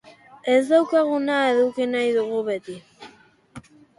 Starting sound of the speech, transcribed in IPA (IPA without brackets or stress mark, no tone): e